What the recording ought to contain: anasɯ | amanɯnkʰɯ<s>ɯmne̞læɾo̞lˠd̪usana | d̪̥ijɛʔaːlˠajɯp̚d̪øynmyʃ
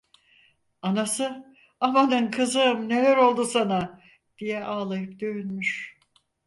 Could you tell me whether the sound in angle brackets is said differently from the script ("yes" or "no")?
yes